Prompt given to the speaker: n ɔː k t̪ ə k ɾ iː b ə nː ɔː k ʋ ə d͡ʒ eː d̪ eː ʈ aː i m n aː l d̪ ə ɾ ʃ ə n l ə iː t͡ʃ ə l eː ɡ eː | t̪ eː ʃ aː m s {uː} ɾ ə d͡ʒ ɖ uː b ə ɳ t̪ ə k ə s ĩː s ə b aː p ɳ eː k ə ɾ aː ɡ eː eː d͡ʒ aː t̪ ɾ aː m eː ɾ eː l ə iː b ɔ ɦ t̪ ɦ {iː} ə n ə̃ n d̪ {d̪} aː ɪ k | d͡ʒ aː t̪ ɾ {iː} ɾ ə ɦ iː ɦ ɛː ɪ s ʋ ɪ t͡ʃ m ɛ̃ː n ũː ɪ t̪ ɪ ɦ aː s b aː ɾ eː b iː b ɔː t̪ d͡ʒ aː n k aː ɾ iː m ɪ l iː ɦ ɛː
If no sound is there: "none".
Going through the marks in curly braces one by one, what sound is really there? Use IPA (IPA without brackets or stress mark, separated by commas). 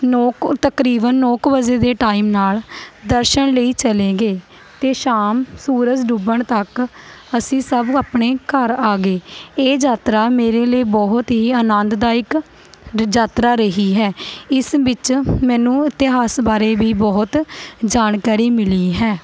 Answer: uː, iː, d̪, aː